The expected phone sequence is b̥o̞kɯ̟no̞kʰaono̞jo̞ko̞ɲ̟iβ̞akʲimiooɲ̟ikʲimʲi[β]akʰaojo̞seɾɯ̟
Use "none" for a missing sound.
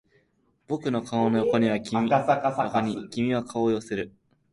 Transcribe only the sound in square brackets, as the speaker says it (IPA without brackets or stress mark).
β